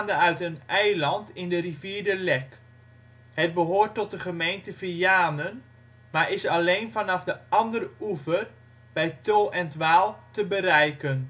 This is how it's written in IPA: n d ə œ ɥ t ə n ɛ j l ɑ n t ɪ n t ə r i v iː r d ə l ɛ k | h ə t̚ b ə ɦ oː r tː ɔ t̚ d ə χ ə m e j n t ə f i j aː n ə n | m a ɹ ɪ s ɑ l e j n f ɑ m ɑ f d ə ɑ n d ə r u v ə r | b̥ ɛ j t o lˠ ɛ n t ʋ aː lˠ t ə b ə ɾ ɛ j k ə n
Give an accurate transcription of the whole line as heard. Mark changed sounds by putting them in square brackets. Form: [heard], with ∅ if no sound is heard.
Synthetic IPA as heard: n d ə œ ɥ t ə n ɛ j l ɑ n t ɪ n [d] ə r i v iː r d ə l ɛ k | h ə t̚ b ə ɦ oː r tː ɔ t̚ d ə χ ə m e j n t ə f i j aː n ə n | m a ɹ ɪ s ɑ l e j n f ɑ [n] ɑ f d ə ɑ n d ə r u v ə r | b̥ ɛ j t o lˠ ɛ n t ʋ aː lˠ t ə b ə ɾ ɛ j k ə n

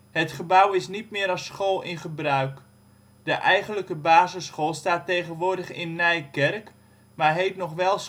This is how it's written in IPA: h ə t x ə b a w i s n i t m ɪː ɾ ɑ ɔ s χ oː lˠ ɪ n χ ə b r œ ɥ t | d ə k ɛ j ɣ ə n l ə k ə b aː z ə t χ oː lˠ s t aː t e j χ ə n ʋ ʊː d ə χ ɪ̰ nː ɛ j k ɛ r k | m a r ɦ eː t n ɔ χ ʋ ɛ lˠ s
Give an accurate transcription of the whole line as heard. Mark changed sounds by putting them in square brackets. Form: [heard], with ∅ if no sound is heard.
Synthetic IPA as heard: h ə t [χ] ə b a w [ɪ] s n i t m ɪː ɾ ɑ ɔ s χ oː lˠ ɪ n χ ə b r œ ɥ [k] | d ə [ʔ] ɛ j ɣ ə n l ə k ə b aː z ə [s] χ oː lˠ s t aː t e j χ ə n ʋ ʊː d ə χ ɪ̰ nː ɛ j k ɛ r k | m a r ɦ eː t n ɔ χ ʋ ɛ lˠ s

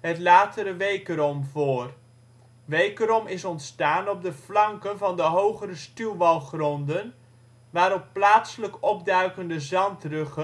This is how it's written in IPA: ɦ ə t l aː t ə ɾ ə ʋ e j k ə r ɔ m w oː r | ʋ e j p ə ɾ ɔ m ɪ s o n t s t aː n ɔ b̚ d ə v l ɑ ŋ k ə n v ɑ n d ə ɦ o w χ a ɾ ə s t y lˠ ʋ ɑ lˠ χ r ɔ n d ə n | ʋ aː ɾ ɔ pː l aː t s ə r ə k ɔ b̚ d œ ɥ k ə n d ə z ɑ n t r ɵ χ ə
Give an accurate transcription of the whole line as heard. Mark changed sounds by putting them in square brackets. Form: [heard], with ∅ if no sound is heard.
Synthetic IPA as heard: ɦ ə t l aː t ə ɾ ə ʋ e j k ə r ɔ m [v] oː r | ʋ e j [k] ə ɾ ɔ m ɪ s [ɔ] n t s t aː n ɔ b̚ d ə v l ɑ ŋ k ə n v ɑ n d ə ɦ o w χ [ə] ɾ ə s t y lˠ ʋ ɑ lˠ χ r ɔ n d ə n | ʋ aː ɾ ɔ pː l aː t s ə [l] ə k ɔ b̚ d œ ɥ k ə n d ə z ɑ n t r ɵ χ ə

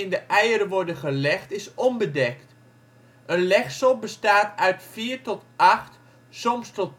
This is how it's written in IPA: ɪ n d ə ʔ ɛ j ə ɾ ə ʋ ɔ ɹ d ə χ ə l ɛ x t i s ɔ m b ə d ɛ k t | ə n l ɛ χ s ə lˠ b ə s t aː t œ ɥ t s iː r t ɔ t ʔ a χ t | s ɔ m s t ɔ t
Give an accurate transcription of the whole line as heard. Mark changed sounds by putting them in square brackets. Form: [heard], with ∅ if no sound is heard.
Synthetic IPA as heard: ɪ n d ə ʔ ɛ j ə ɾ ə ʋ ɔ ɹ d ə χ ə l ɛ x t [ɪ] s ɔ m b ə d ɛ k t | ə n l ɛ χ s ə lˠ b ə s t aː t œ ɥ t [f] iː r t ɔ t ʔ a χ t | s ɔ m s t ɔ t

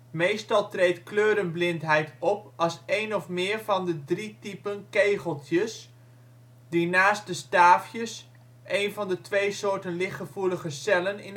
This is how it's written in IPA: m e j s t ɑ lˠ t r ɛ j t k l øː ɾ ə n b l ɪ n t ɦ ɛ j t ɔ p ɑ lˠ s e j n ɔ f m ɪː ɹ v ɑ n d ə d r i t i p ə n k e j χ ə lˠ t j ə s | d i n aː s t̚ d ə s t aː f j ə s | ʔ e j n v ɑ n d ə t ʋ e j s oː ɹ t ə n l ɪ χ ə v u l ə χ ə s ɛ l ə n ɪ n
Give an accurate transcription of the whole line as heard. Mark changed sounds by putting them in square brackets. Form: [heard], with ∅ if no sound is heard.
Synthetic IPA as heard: m e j s t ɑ lˠ t r [e] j t k l øː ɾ ə n b l ɪ n t ɦ ɛ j t ɔ p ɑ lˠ s e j n ɔ f m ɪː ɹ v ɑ n d ə d r i t i p ə n k e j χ ə lˠ t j ə s | d i n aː s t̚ d ə s t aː f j ə s | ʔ e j n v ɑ n d ə t ʋ e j s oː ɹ t ə n l ɪ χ ə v u l ə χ ə s ɛ l ə n ɪ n

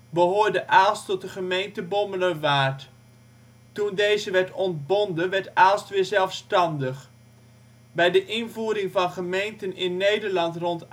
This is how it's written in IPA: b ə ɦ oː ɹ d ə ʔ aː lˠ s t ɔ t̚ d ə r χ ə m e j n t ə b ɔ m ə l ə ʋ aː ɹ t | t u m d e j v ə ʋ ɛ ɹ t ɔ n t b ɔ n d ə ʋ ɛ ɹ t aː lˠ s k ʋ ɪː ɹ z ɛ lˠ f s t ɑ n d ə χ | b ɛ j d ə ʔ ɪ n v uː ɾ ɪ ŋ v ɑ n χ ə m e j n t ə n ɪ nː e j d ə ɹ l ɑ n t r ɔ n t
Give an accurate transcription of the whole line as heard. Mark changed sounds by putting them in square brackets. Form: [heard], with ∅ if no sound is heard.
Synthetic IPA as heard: b ə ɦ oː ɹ d ə ʔ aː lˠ s t ɔ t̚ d ə [∅] χ ə m e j n t ə b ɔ m ə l ə ʋ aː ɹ t | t u [n] d e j [z] ə ʋ ɛ ɹ t ɔ n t b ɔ n d ə ʋ ɛ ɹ t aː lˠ s [t] ʋ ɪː ɹ z ɛ lˠ f s t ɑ n d ə χ | b ɛ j d ə ʔ ɪ n v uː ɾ ɪ ŋ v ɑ n χ ə m e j n t ə n ɪ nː e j d ə ɹ l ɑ n t r ɔ n t

